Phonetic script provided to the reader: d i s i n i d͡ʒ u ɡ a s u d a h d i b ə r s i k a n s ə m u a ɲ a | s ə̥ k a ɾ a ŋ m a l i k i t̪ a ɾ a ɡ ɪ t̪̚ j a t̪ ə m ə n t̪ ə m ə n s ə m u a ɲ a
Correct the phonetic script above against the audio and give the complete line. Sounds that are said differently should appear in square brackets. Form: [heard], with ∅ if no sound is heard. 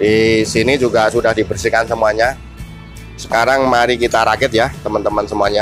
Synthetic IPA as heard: d i s i n i d͡ʒ u ɡ a s u d a h d i b ə r s i k a n s ə m u a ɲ a | s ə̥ k a ɾ a ŋ m a [ɾ] i k i t̪ a ɾ a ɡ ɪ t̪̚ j a t̪ ə m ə n t̪ ə m ə n s ə m u a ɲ a

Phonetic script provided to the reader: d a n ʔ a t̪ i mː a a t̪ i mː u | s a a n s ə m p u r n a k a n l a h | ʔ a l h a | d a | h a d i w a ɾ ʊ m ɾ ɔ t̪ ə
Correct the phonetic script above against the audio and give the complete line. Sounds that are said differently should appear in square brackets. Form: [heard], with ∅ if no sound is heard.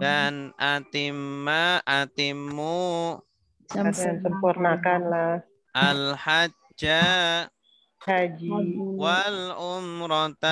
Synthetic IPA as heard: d a n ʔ a t̪ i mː a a t̪ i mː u | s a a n s ə m p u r n a k a n l a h | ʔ a l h a | [d͡ʒ] a | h a [d͡ʒ] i w a [l] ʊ m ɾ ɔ t̪ [a]

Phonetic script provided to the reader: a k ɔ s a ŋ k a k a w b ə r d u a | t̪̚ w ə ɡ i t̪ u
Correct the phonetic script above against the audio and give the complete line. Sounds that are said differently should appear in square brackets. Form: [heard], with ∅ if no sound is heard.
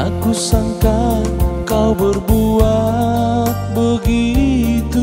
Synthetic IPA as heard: a k [u] s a ŋ k a k a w b ə r [b] u a | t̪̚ [b] ə ɡ i t̪ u

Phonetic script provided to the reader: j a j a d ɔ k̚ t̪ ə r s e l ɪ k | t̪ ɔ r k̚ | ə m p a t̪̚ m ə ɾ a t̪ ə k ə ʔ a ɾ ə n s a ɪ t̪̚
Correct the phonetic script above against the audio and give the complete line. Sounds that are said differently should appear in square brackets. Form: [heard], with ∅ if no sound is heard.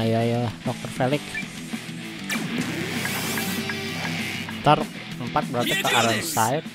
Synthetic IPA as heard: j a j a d ɔ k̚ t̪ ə r [f] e l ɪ k | t̪ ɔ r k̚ | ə m p a t̪̚ [b] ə ɾ a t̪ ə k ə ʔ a ɾ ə n s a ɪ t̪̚

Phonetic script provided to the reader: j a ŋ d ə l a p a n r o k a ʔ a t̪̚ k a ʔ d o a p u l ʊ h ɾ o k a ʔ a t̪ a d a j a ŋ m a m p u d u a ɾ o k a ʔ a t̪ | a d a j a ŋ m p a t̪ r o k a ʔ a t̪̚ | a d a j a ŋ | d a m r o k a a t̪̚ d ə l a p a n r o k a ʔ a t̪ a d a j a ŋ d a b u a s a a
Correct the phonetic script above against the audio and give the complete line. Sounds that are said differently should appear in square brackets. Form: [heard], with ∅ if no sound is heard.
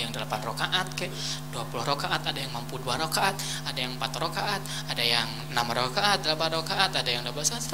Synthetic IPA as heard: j a ŋ d ə l a p a n r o k a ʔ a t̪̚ k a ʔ d [u] a p u l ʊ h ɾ o k a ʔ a t̪ a d a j a ŋ m a m p u d u a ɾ o k a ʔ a t̪ | a d a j a ŋ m p a t̪ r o k a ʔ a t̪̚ | a d a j a ŋ | [n] a m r o k a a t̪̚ d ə l a p a n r o k a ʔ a t̪ a d a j a ŋ d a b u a s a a

